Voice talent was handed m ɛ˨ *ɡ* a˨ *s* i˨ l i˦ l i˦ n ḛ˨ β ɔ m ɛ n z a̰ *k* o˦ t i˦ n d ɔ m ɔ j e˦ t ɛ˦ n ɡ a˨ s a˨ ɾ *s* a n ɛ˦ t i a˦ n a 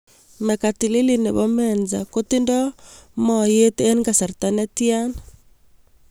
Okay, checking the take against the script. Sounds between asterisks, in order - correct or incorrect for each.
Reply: incorrect: k, incorrect: t, correct, incorrect: t

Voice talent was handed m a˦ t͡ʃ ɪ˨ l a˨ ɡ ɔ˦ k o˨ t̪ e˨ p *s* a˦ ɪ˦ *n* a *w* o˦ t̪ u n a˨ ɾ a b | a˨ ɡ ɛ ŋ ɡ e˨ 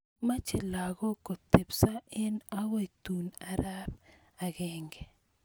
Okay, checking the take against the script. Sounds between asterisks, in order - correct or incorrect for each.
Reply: correct, correct, correct

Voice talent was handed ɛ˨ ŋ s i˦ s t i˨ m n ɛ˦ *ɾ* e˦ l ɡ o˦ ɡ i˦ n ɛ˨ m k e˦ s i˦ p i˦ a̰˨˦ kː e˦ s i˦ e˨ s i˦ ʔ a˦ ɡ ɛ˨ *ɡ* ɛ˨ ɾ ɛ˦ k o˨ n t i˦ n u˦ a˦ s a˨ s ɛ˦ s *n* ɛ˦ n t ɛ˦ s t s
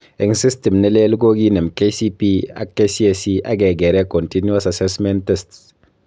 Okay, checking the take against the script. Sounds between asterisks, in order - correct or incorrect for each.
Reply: incorrect: l, correct, incorrect: m

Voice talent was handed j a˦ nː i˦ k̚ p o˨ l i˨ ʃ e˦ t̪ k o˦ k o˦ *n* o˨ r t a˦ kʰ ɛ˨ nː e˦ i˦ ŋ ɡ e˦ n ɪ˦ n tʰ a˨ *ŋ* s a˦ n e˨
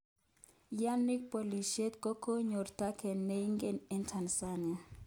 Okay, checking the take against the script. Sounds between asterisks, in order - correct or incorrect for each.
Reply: incorrect: ɲ, incorrect: n

